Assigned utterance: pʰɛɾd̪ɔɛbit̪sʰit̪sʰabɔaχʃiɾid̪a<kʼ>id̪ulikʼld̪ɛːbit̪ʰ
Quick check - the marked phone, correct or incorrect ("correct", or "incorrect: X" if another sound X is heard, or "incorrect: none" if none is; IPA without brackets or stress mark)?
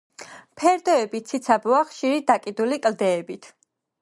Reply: correct